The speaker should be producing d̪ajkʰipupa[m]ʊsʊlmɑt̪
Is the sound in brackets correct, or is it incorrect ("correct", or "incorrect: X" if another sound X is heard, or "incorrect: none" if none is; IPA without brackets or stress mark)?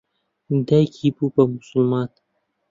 correct